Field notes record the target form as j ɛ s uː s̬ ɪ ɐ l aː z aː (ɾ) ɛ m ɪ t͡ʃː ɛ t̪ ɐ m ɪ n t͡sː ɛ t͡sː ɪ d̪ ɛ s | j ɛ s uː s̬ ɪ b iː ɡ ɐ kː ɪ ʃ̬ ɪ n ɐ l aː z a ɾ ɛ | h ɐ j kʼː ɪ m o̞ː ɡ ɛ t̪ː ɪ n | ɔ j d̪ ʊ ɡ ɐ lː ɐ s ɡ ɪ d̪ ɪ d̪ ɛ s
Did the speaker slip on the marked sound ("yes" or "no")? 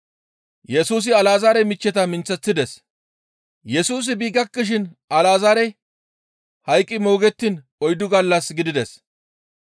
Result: no